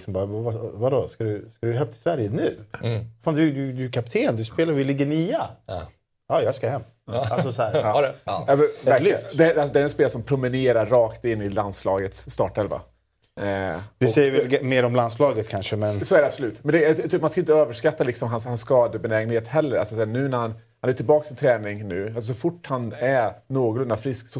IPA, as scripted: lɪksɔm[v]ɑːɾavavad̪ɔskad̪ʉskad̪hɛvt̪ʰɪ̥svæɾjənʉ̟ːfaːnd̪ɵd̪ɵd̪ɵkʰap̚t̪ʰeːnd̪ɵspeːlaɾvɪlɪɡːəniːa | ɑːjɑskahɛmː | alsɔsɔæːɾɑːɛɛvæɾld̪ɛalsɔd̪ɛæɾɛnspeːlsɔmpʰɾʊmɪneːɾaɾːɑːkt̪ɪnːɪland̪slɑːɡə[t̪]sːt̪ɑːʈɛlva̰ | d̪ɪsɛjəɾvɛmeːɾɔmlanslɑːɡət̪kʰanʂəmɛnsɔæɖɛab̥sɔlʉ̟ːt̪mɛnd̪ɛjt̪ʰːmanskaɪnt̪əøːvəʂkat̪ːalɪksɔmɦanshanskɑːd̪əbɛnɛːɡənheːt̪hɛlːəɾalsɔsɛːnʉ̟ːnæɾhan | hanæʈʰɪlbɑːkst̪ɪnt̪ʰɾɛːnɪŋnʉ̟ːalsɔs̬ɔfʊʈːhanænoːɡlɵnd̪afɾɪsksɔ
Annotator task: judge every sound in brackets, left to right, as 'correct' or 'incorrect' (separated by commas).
incorrect, correct